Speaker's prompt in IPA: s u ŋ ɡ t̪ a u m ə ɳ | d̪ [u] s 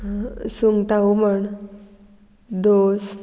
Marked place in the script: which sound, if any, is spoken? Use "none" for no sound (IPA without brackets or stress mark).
o